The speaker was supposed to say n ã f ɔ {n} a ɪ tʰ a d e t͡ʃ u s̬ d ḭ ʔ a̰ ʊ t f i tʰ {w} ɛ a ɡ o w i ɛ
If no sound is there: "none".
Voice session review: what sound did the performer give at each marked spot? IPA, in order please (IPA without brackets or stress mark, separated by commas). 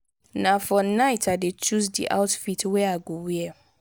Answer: n, w